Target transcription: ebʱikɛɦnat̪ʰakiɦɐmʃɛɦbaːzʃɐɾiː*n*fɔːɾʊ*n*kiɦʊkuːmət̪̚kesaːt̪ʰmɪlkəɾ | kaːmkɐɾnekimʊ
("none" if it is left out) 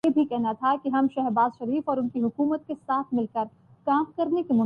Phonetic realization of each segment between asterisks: none, n

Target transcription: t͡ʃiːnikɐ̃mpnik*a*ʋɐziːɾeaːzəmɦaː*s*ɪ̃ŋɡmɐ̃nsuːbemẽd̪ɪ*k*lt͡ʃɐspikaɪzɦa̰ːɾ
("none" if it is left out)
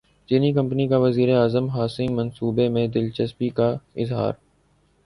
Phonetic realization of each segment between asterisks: a, s, none

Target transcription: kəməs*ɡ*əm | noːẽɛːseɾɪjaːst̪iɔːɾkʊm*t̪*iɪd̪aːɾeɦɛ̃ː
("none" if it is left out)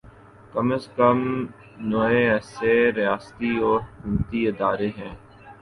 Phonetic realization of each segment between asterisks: k, t̪

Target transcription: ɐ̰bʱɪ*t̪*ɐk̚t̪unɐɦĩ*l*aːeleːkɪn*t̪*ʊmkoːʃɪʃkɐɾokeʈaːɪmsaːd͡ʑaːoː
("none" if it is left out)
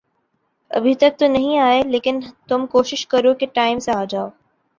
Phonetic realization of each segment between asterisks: t̪, none, t̪

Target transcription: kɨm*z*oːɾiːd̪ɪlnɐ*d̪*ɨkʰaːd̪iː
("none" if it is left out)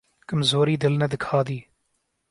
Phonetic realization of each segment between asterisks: z, d̪

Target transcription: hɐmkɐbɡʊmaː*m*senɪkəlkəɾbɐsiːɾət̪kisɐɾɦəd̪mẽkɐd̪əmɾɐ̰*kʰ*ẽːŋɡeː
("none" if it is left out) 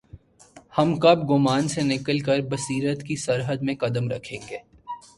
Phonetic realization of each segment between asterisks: n, kʰ

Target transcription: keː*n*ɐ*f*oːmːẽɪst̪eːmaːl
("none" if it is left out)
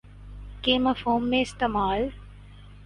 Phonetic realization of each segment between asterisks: m, f

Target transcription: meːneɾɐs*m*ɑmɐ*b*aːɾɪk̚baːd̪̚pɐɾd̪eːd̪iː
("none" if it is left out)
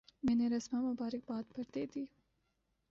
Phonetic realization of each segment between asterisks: m, b

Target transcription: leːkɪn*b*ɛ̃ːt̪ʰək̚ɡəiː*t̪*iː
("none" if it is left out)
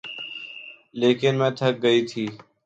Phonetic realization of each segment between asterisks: m, t̪ʰ

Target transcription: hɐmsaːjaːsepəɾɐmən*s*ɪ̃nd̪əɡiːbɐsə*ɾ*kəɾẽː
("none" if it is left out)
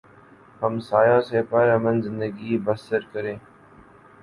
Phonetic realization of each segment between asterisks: z, ɾ

